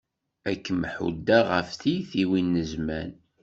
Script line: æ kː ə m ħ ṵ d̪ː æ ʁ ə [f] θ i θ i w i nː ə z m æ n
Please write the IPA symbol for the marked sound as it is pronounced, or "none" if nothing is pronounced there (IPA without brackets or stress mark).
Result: f